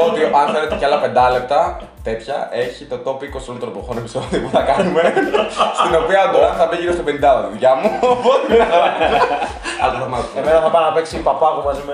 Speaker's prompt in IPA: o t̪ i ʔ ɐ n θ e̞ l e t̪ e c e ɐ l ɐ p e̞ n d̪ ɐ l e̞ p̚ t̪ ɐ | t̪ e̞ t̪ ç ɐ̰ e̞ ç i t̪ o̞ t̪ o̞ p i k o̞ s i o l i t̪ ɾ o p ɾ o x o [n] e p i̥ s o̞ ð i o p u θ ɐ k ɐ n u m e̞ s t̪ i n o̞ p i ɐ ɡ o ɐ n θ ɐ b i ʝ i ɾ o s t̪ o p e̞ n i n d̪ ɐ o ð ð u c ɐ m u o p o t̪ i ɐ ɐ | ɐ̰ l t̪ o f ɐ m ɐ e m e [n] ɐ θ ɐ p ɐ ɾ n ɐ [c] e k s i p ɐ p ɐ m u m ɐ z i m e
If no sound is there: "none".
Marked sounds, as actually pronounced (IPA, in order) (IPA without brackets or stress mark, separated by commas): n, n, p